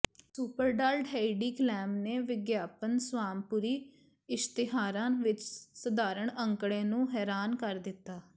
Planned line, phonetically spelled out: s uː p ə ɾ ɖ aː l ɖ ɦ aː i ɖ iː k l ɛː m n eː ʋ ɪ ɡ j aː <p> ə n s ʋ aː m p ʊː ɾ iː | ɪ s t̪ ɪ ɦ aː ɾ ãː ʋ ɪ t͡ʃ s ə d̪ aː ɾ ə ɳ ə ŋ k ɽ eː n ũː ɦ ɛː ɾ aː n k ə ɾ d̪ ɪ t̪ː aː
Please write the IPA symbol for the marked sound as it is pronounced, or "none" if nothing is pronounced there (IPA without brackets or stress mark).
p